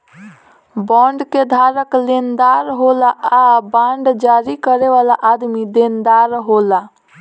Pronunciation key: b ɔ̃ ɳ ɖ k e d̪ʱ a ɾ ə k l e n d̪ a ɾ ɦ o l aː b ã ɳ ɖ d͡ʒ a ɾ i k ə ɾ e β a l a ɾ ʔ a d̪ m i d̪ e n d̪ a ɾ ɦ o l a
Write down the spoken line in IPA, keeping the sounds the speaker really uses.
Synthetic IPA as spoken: b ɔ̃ ɳ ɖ k e d̪ʱ a ɾ ə k l e n d̪ a ɾ ɦ o l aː b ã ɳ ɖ d͡ʒ a ɾ i k ə ɾ e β a l a ʔ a d̪ m i d̪ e n d̪ a ɾ ɦ o l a